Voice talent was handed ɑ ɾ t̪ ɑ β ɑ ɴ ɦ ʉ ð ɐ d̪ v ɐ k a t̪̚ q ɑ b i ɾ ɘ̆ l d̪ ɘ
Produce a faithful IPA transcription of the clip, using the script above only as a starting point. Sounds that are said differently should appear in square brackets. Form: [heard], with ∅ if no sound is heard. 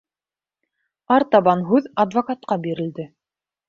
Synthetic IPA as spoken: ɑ ɾ t̪ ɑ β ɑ [n] ɦ ʉ ð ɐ d̪ v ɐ k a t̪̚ q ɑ b i ɾ ɘ̆ l d̪ ɘ